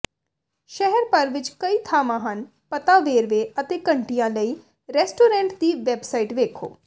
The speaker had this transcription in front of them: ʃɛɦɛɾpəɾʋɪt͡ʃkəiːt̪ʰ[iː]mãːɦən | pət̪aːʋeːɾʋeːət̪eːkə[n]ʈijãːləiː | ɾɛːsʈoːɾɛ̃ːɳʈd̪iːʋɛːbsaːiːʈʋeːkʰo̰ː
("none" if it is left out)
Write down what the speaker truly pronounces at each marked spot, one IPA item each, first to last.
aː, ɳ

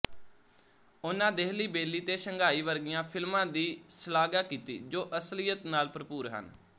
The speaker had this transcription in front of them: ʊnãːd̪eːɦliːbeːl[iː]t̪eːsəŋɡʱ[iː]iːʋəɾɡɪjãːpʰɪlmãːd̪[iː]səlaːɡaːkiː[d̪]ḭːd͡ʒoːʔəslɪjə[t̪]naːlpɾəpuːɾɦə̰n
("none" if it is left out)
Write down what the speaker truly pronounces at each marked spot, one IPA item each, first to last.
iː, aː, iː, t̪, t̪

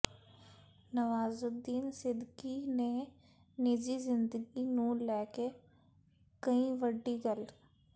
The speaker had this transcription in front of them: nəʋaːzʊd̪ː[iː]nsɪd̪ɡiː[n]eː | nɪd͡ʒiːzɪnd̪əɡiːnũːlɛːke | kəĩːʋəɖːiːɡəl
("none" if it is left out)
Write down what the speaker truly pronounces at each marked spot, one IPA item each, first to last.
iː, n

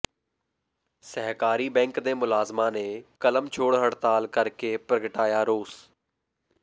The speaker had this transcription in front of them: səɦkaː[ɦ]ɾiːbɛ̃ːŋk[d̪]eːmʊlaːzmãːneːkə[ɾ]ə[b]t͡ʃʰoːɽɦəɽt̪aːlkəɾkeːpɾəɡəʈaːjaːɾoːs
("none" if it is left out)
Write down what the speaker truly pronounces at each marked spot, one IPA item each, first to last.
none, d̪, l, m

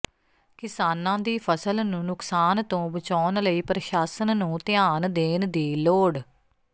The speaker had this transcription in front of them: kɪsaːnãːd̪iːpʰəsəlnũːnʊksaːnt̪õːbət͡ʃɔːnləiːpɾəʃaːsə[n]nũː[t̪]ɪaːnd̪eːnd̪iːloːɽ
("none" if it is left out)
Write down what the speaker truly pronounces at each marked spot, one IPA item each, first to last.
n, t̪

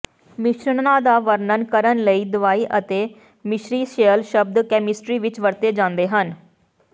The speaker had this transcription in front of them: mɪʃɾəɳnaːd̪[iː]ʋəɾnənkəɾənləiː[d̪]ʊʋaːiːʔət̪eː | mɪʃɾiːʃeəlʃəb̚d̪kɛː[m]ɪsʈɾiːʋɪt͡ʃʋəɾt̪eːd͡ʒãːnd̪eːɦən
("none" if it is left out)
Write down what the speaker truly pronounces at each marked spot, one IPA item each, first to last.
aː, d̪, m

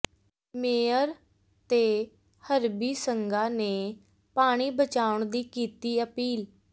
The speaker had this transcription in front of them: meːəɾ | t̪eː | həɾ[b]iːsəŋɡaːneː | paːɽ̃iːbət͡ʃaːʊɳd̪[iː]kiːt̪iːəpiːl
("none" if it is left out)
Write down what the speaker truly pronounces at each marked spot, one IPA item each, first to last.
b, iː

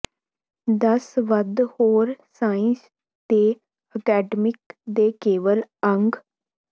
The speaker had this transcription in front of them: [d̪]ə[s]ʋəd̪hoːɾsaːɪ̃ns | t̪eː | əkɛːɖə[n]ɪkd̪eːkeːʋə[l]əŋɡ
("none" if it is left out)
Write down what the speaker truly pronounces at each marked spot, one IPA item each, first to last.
d̪, s, m, l

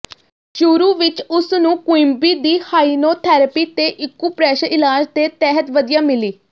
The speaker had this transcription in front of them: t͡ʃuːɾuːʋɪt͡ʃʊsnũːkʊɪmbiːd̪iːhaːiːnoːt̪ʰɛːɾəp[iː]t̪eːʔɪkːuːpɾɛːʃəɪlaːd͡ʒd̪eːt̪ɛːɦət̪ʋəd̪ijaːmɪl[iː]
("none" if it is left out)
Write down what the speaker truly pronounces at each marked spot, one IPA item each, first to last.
iː, iː

